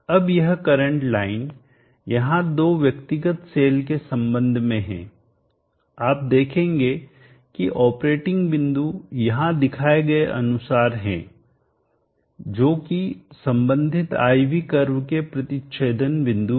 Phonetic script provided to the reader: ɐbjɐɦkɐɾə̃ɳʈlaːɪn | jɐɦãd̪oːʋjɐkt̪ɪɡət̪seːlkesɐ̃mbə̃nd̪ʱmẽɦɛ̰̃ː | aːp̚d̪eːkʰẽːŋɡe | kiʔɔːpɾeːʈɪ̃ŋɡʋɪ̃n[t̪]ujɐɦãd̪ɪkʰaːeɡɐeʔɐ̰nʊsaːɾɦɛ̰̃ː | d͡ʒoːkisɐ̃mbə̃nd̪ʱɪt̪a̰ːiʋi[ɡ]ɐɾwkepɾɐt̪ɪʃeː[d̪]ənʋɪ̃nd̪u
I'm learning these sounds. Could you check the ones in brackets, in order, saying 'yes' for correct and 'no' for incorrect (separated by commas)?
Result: no, no, yes